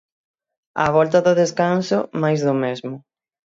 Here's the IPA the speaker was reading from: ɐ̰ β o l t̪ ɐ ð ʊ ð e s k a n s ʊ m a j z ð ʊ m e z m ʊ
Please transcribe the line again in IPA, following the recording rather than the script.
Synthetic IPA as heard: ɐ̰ β ɔ l t̪ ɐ ð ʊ ð e s k a n s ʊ m a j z ð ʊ m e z m ʊ